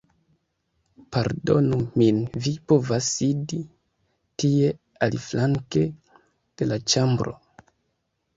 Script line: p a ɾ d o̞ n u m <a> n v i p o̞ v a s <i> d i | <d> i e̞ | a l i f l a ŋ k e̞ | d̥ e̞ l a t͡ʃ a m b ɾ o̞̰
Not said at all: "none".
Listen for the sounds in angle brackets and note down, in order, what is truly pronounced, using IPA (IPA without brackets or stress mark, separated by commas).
i, i, t